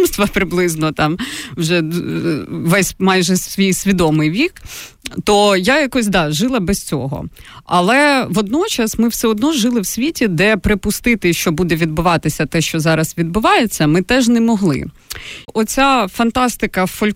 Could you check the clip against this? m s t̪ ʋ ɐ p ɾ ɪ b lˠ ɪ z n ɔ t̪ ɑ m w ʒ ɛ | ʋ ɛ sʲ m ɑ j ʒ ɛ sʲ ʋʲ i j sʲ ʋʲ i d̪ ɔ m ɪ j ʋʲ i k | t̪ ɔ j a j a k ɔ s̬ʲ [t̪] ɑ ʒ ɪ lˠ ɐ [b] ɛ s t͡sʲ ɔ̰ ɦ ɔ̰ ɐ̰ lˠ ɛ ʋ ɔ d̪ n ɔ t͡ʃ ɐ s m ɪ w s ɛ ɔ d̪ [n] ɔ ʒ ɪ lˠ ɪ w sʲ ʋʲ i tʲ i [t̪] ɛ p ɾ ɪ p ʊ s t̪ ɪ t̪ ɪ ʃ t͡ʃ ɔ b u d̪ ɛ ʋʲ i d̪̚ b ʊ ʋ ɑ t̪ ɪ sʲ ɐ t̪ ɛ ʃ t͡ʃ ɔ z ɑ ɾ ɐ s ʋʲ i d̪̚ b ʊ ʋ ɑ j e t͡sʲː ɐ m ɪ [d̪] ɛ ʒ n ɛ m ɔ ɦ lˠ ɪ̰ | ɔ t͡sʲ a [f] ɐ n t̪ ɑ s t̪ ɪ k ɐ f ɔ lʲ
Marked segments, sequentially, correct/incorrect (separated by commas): incorrect, correct, correct, incorrect, incorrect, correct